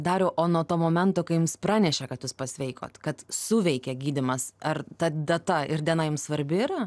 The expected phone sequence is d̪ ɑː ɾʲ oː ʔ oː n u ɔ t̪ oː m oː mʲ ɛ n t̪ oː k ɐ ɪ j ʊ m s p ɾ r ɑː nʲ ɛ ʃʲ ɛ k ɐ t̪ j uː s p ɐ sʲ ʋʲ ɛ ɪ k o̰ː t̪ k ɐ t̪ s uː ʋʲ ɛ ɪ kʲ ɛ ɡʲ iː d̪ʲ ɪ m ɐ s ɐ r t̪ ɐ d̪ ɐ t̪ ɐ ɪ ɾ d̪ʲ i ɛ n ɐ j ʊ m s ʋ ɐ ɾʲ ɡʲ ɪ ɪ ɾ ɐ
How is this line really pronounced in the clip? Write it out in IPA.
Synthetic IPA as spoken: d̪ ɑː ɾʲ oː ʔ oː n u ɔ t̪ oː m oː mʲ ɛ n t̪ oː k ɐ ɪ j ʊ m s p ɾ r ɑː nʲ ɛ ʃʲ ɛ k ɐ t̪ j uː s p ɐ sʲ ʋʲ ɛ ɪ k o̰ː t̪ k ɐ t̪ s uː ʋʲ ɛ ɪ kʲ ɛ ɡʲ iː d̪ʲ ɪ m ɐ s ɐ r t̪ ɐ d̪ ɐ t̪ ɐ ɪ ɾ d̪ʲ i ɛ n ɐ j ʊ m s ʋ ɐ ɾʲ bʲ ɪ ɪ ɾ ɐ